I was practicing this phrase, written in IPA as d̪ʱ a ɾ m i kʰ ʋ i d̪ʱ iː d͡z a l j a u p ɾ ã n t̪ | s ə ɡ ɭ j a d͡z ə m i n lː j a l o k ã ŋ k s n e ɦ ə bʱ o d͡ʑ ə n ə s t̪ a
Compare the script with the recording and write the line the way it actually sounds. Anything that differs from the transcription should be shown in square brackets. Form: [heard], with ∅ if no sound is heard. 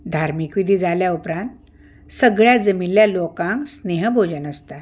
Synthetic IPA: d̪ʱ a ɾ m i [k] ʋ i d̪ʱ iː d͡z a l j a u p ɾ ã n t̪ | s ə ɡ ɭ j a d͡z ə m i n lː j a l o k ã ŋ k s n e ɦ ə bʱ o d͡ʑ ə n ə s t̪ a